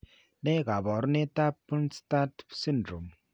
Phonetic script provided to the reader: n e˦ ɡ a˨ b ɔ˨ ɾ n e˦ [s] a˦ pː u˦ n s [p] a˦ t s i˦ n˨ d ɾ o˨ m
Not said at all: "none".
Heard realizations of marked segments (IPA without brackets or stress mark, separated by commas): t, t